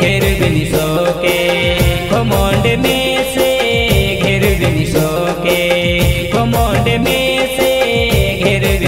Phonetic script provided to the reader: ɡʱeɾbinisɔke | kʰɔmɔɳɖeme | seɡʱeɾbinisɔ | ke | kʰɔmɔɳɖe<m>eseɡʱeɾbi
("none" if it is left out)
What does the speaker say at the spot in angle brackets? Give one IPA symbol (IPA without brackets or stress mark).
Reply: m